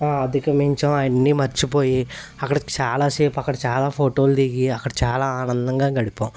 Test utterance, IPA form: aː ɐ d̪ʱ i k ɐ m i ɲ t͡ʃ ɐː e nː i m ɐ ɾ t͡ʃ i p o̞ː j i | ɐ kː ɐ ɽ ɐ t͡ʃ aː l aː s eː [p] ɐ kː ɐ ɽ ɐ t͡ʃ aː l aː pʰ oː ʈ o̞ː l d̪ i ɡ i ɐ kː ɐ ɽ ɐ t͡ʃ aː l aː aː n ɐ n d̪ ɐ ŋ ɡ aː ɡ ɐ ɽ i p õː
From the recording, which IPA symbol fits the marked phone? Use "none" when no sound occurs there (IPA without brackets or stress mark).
p